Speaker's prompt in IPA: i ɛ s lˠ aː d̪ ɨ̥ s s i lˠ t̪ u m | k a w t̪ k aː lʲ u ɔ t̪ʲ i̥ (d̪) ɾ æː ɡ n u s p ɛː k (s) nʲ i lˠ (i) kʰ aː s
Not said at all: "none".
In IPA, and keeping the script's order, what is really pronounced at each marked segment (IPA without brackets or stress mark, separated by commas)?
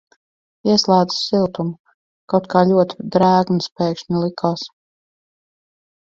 d̪, ʃ, i